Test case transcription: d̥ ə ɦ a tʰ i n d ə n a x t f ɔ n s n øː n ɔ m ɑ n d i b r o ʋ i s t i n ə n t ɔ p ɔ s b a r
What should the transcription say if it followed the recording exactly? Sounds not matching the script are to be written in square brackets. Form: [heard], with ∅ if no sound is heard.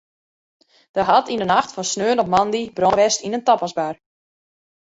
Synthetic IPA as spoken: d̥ ə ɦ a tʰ i n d ə n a x t f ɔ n s n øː n ɔ m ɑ n d i b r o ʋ [ɛ] s t i n ə n t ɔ p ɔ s b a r